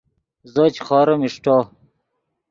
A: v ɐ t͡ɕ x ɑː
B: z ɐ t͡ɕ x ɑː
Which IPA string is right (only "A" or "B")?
B